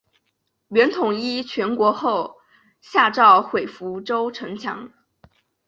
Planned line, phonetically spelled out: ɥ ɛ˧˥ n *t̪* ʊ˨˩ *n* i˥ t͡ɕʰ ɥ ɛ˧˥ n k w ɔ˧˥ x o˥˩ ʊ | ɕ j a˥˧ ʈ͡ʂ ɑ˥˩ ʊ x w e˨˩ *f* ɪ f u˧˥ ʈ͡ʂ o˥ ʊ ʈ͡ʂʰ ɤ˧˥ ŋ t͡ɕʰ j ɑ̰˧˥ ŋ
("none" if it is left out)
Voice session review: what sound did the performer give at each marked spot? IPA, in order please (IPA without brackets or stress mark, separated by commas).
t̪ʰ, ŋ, none